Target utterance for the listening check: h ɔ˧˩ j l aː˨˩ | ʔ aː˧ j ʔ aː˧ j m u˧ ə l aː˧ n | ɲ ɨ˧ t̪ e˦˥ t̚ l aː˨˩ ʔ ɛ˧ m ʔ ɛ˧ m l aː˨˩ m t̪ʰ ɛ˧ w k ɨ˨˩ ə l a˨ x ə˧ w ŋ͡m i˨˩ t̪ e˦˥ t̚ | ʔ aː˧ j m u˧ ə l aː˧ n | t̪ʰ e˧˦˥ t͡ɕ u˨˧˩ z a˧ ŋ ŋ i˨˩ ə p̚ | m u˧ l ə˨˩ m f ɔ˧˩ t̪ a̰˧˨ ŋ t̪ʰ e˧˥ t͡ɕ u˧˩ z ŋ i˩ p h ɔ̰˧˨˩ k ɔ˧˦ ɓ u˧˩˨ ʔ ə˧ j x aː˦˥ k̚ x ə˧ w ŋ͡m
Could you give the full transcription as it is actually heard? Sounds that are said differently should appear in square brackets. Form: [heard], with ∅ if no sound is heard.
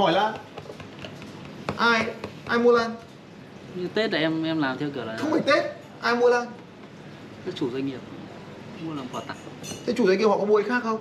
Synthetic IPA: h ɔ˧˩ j l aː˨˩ | ʔ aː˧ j ʔ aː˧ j m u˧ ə l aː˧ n | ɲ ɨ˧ t̪ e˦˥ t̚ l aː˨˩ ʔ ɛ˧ m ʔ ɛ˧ m l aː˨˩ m t̪ʰ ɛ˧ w k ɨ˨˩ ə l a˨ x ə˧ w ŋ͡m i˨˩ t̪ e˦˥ t̚ | ʔ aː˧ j m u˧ ə l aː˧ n | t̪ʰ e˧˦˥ t͡ɕ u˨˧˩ z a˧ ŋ ŋ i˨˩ ə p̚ | m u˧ l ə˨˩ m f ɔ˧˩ t̪ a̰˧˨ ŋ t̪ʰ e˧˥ t͡ɕ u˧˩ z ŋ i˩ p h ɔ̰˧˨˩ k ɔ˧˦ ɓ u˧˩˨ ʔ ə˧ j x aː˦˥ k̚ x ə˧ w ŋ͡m